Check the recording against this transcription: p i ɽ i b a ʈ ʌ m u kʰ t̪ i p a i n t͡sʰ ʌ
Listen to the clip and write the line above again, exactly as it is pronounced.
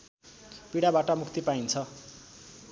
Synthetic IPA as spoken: p i ɽ a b a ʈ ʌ m u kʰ t̪ i p a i n t͡sʰ ʌ